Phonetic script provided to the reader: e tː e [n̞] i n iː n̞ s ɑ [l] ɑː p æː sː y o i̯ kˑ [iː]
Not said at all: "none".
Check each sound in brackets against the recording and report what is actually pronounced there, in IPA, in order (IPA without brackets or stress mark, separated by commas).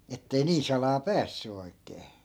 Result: none, l, eː